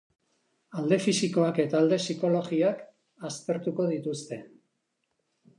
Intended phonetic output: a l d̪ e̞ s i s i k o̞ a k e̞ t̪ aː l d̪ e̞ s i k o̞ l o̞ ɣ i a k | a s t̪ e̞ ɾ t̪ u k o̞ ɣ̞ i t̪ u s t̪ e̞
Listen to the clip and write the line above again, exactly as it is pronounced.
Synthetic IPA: a l d̪ e̞ f i s i k o̞ a k e̞ t̪ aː l d̪ e̞ s i k o̞ l o̞ ɣ i a k | a s t̪ e̞ ɾ t̪ u k o̞ ð̞ i t̪ u s t̪ e̞